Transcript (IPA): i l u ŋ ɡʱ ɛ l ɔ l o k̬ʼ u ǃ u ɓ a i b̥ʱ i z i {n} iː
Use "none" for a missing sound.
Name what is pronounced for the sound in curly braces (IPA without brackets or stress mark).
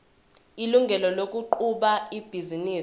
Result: n